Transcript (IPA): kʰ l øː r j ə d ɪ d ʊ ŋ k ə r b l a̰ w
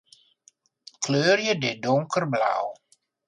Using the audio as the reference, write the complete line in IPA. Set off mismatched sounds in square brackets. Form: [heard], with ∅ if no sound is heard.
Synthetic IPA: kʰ l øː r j ə d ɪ d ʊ ŋ k ə r b l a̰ w